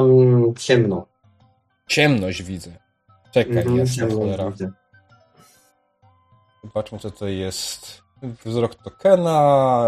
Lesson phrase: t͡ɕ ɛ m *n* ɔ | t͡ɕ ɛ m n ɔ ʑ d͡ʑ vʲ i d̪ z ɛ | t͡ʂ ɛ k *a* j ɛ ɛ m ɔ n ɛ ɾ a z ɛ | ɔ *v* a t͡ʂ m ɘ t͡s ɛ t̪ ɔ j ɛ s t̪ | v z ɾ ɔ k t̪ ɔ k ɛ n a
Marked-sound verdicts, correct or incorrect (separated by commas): correct, correct, incorrect